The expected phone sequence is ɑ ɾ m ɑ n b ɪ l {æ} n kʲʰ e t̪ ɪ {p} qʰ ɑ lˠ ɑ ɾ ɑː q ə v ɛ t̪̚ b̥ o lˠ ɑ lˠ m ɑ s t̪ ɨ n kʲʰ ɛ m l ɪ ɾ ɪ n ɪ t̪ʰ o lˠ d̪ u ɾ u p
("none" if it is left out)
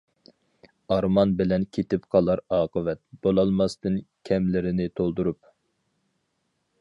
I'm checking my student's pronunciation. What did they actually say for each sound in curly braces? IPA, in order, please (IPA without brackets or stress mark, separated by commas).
ɛ, p